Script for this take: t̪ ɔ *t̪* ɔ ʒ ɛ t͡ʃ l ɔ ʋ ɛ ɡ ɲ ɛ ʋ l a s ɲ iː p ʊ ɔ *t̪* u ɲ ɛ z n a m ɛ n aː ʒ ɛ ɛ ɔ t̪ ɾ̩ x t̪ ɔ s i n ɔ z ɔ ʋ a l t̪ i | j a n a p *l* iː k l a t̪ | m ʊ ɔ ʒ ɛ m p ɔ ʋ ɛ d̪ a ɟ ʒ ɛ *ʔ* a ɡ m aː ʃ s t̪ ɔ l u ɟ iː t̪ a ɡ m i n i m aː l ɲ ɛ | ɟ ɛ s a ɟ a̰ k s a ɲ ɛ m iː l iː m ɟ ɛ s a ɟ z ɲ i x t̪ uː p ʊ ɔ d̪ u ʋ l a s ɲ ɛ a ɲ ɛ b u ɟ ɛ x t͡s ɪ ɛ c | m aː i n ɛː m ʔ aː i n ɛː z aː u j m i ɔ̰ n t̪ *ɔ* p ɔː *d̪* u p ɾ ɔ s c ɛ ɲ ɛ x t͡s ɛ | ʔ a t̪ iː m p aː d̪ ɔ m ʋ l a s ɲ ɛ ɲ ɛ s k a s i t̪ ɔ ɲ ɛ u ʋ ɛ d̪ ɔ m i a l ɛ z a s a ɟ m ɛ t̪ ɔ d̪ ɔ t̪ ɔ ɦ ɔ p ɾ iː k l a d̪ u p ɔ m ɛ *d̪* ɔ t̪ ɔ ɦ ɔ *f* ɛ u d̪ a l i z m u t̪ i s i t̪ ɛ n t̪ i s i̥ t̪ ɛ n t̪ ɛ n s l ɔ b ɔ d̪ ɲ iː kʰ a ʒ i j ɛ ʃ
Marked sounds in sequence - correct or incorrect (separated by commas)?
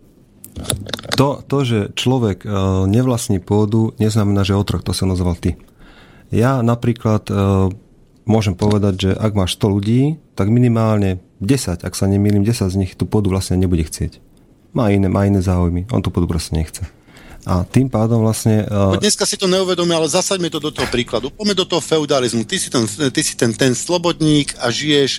correct, incorrect, incorrect, correct, incorrect, correct, correct, correct